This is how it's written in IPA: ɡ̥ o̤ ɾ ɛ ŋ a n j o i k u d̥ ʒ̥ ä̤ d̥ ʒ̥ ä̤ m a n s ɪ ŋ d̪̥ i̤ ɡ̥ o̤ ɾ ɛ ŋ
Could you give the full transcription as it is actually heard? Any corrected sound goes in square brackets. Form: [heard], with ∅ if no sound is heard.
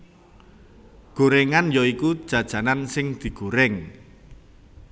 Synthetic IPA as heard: ɡ̥ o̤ ɾ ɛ ŋ a n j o i k u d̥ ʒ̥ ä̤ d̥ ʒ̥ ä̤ [n] a n s ɪ ŋ d̪̥ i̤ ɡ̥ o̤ ɾ ɛ ŋ

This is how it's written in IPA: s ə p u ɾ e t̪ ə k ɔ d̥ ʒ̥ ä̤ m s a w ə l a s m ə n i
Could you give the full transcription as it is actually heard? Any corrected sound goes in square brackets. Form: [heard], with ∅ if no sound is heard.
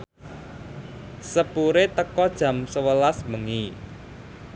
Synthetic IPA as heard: s ə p u ɾ e t̪ ə k ɔ d̥ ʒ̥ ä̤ m s [ə] w ə l a s m ə [ŋ] i

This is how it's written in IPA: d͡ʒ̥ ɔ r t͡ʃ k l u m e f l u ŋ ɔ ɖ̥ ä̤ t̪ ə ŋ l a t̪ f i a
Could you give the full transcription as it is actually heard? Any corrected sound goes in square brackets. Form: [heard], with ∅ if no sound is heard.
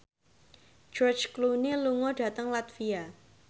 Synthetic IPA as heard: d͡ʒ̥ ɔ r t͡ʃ k l u [n] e [∅] l u ŋ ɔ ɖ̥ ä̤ t̪ ə ŋ l a t̪ f i a

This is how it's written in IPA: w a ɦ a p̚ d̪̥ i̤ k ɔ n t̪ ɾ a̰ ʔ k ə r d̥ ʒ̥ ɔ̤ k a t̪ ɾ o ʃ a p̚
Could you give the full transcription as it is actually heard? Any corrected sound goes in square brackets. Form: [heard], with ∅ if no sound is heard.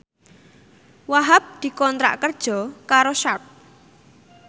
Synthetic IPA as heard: w a ɦ a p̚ d̪̥ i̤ k ɔ n t̪ ɾ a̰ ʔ k ə r d̥ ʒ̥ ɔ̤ k a [∅] ɾ o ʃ a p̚

